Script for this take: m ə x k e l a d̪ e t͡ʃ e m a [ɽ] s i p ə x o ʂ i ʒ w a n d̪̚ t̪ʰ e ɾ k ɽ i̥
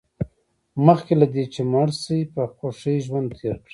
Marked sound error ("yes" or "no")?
no